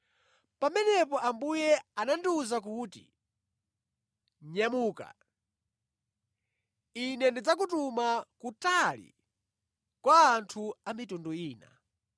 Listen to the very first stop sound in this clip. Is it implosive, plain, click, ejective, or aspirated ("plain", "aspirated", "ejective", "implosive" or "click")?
plain